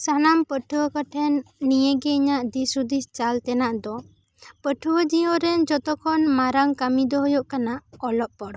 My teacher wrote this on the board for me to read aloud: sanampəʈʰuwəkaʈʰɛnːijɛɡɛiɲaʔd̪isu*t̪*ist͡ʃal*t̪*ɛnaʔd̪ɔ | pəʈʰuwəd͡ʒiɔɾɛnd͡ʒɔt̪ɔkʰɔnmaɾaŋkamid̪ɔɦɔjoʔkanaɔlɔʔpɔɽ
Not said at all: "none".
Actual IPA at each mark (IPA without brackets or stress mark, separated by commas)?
d̪, t̪